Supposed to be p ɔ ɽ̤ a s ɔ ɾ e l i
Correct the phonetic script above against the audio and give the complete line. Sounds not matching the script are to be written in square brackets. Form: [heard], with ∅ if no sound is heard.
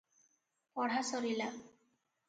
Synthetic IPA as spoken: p ɔ ɽ̤ a s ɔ ɾ [i] l [a]